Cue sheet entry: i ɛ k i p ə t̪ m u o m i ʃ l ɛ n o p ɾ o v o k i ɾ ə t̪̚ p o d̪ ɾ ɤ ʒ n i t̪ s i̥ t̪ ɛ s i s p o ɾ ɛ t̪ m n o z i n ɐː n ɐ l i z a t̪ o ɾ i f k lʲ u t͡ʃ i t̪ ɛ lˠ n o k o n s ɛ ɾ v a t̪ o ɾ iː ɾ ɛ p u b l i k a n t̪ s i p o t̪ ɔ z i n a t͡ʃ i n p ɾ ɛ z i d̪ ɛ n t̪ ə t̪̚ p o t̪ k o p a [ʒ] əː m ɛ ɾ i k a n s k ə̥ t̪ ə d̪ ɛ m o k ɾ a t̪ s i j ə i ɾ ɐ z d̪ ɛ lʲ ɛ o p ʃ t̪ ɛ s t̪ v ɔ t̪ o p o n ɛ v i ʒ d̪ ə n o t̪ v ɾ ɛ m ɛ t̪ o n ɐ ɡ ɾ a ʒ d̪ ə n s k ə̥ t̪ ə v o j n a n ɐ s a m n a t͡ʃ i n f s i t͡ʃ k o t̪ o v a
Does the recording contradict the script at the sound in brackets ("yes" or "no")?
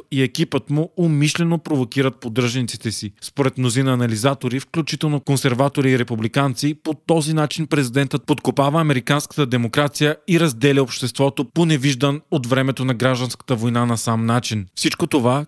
yes